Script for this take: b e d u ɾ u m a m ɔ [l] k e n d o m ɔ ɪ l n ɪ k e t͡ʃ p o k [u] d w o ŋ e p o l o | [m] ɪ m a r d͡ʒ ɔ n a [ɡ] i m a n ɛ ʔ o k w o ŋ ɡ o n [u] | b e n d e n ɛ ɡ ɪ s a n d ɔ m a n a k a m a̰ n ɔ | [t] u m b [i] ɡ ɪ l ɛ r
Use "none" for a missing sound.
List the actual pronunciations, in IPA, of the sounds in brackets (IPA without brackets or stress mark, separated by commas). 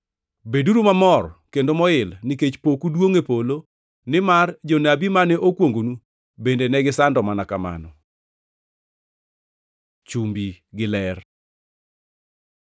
r, u, n, b, u, t͡ʃ, i